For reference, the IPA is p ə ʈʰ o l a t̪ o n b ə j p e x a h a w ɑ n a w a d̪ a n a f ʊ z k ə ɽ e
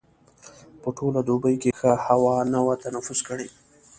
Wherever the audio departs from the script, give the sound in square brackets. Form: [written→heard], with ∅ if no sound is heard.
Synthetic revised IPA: p ə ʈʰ o l a [t̪→d̪] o [n→∅] b ə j [p→k] e x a h a w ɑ n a w a [d̪→t̪] a n a f ʊ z k ə ɽ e